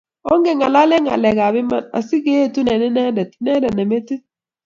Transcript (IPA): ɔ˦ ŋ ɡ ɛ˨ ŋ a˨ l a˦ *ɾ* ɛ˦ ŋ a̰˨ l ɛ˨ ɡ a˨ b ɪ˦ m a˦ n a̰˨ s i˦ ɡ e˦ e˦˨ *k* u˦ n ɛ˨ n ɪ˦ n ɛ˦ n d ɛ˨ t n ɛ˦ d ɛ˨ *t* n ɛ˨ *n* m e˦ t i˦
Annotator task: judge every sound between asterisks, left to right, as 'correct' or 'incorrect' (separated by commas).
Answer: incorrect, incorrect, incorrect, incorrect